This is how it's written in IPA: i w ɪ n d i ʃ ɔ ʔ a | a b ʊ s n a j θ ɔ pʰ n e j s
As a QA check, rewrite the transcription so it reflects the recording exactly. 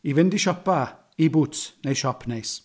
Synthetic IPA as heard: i v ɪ n d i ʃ ɔ p a | i b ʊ t n e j ʃ ɔ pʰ n e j s